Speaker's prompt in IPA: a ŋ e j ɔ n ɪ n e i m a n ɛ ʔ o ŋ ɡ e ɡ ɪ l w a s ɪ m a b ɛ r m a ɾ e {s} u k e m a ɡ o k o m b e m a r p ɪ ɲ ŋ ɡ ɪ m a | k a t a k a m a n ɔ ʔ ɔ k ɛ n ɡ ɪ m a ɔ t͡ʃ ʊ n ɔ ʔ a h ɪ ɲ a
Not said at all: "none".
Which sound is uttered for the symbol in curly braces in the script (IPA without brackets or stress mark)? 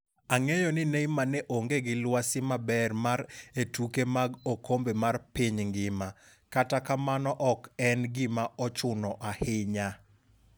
t